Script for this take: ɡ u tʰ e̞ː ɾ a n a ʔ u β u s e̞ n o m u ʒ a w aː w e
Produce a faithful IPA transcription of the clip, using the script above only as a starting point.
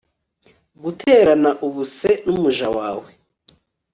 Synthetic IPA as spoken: ɡ u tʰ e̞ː ɾ a n a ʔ u β u s e̞ n u m u ʒ a w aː w e